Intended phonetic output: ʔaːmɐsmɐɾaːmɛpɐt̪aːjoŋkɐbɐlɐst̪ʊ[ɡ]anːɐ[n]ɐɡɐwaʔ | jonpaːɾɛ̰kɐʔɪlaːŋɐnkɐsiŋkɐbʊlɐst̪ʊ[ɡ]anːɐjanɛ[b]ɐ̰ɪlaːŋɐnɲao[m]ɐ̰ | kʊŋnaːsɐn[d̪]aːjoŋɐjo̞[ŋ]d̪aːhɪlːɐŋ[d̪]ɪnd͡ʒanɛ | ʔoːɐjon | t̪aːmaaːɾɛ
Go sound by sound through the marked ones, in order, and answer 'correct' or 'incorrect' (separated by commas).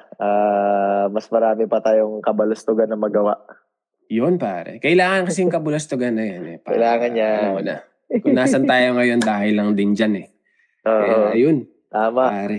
correct, incorrect, correct, incorrect, incorrect, incorrect, incorrect, correct